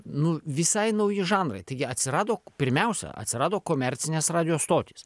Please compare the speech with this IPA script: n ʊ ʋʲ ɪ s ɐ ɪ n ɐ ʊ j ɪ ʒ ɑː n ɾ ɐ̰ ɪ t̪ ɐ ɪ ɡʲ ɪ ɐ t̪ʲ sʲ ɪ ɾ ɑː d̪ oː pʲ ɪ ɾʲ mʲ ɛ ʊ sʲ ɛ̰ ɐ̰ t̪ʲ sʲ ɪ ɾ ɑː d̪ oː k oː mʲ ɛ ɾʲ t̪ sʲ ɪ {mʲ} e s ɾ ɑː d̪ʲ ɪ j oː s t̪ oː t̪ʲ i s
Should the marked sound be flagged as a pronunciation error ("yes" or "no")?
yes